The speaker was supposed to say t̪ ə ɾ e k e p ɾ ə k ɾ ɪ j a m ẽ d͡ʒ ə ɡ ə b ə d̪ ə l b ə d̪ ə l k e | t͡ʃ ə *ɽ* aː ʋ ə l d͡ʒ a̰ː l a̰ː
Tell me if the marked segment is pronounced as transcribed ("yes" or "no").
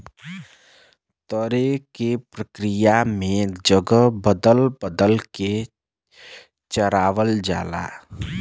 no